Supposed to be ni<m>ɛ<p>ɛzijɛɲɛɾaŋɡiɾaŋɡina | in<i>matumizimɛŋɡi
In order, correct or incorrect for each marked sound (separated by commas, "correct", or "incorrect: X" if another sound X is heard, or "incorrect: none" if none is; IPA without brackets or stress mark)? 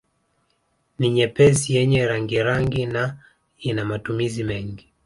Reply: incorrect: ɲ, correct, incorrect: a